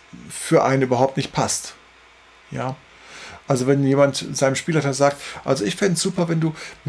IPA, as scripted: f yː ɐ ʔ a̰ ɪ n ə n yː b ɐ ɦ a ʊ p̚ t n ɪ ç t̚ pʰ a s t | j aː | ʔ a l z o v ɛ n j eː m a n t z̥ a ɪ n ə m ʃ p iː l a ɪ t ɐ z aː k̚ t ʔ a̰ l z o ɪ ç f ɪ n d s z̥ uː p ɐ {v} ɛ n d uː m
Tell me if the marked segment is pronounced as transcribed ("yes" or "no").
yes